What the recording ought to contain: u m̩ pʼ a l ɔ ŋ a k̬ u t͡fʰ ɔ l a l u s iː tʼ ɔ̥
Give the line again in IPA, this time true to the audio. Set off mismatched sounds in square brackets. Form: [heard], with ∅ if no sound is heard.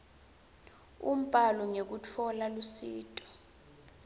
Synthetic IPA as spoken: u m̩ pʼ a l ɔ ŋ [e] k̬ u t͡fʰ ɔ l a l u s iː tʼ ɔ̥